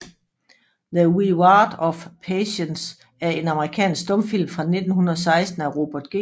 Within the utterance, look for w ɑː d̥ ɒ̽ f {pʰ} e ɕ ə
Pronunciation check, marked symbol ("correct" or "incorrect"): correct